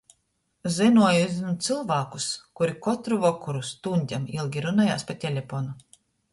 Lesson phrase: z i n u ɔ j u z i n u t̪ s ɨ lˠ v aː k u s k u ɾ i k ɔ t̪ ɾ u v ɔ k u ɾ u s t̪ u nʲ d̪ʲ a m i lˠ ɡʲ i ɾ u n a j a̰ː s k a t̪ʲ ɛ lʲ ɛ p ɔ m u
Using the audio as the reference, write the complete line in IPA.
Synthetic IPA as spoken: z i n u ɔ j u z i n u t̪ s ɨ lˠ v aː k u s k u ɾ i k ɔ t̪ ɾ u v ɔ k u ɾ u s t̪ u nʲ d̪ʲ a m i lˠ ɡʲ i ɾ u n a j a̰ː s p a t̪ʲ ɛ lʲ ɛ p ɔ n u